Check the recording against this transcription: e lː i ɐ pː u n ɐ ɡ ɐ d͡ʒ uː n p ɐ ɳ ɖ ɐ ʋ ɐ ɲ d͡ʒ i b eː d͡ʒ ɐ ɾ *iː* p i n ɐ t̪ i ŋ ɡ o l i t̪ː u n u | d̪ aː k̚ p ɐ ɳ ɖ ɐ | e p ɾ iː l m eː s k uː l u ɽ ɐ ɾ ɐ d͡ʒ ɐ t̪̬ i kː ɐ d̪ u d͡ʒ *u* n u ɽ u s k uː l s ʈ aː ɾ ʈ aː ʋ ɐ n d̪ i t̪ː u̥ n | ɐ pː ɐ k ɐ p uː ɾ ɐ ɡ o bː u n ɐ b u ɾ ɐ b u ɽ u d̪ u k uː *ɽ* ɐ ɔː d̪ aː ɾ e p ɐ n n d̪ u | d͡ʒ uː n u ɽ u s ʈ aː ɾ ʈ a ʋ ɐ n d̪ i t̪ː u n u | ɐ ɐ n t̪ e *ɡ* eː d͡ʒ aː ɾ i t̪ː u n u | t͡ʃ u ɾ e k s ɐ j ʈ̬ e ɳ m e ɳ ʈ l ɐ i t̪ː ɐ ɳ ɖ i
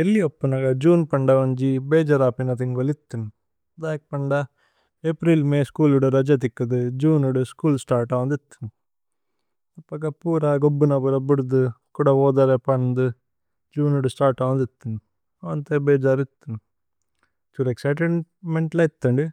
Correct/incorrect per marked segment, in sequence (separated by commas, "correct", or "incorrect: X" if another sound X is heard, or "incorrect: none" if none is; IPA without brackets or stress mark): incorrect: aː, incorrect: uː, correct, incorrect: b